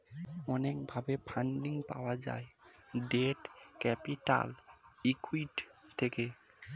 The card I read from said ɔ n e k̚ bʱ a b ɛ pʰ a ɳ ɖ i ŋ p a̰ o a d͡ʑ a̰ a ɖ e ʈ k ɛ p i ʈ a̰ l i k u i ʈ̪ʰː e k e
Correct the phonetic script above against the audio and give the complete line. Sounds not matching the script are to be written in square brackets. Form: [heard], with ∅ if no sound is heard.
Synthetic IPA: ɔ n e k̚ bʱ a b [e] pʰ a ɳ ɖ i ŋ p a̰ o a d͡ʑ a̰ [e] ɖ e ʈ k ɛ p i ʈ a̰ l i k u i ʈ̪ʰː e k e